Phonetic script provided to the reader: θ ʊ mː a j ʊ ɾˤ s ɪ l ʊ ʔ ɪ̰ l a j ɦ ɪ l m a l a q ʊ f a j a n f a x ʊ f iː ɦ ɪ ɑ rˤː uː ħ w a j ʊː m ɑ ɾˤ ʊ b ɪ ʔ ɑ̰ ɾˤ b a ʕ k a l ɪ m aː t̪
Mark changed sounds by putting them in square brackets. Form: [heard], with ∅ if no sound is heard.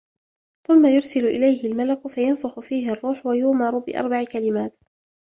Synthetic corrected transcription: θ ʊ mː a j ʊ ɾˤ s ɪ l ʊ ʔ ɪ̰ l a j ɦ ɪ l m a l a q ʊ f a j a n f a x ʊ f iː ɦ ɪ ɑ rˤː uː ħ w a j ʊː m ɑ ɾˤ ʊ b ɪ ʔ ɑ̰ ɾˤ b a ʕ k a l ɪ m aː t̪

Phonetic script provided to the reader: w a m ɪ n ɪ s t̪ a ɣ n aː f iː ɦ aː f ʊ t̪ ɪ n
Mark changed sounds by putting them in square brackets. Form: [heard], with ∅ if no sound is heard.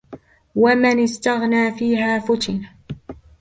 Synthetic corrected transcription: w a m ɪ n ɪ s t̪ a ɣ n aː f iː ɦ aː f ʊ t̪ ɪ n

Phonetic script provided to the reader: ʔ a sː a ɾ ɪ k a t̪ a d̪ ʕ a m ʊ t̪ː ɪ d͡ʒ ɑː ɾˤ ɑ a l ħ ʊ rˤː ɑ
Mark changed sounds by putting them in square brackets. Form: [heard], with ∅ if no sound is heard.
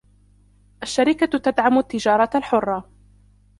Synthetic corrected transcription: ʔ a [ʃː] a ɾ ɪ k a t̪ a d̪ ʕ a m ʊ t̪ː ɪ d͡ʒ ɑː ɾˤ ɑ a l ħ ʊ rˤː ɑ

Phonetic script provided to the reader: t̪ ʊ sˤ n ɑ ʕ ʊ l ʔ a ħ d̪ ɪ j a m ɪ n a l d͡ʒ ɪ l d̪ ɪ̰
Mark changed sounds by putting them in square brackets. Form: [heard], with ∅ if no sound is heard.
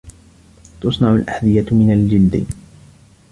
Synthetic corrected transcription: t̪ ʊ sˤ n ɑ ʕ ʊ l ʔ a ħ d̪ ɪ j a m ɪ n a l d͡ʒ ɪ l d̪ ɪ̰

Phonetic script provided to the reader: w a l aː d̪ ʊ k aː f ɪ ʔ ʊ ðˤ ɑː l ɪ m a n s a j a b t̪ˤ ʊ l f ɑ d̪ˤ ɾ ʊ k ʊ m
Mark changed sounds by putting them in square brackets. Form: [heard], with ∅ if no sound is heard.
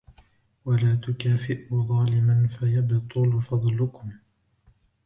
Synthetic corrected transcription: w a l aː [t̪] ʊ k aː f ɪ ʔ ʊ ðˤ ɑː l ɪ m a n [f] a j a b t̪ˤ ʊ l f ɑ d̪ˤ [l] ʊ k ʊ m

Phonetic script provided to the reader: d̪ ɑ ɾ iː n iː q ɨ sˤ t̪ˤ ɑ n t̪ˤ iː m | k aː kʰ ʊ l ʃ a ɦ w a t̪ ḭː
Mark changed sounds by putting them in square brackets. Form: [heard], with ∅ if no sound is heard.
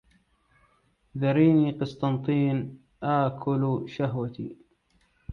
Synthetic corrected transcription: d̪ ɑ ɾ iː n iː q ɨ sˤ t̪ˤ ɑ n t̪ˤ iː [n] | [ʔ] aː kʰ ʊ l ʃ a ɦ w a t̪ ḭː

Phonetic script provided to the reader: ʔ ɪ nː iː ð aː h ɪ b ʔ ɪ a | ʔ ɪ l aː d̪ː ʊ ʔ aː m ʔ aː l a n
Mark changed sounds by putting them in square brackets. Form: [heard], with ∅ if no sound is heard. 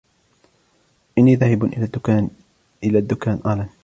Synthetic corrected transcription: ʔ ɪ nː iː ð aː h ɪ b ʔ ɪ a | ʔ ɪ l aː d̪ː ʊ [k] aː [n] ʔ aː l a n

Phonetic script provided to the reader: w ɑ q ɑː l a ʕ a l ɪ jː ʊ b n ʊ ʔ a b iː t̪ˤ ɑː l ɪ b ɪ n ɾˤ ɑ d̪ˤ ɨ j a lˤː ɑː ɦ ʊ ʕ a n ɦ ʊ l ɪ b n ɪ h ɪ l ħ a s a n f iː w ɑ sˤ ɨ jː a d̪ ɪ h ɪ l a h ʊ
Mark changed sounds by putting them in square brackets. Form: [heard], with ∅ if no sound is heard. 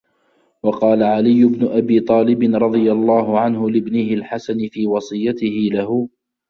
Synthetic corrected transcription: w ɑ q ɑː l a ʕ a l ɪ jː ʊ b n ʊ ʔ a b iː t̪ˤ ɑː l ɪ b ɪ n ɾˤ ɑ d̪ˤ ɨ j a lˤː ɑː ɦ ʊ ʕ a n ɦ ʊ l ɪ b n ɪ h ɪ l ħ a s a n f iː w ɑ sˤ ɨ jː a [t̪] ɪ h ɪ l a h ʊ

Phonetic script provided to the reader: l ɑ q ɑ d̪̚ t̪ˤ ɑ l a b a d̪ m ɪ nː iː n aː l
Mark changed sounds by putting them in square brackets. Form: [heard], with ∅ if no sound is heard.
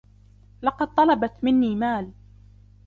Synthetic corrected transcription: l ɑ q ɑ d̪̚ t̪ˤ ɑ l [ɑ] b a [t̪] m ɪ nː iː [m] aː l

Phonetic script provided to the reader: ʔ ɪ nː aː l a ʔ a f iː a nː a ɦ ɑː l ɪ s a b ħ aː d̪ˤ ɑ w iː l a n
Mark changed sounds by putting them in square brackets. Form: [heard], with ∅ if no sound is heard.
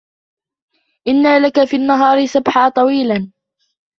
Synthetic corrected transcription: ʔ ɪ nː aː l a [k] a f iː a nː a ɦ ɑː [ɾ] ɪ s a b ħ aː [t̪ˤ] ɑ w iː l a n

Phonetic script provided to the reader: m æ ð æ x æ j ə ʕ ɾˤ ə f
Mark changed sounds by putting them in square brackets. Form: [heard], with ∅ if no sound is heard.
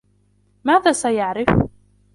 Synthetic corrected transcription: m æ ð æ [s] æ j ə ʕ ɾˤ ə f

